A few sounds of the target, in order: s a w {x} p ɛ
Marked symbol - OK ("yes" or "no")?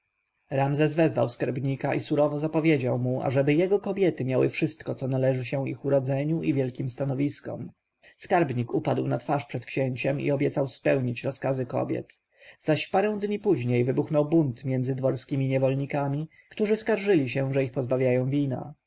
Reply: no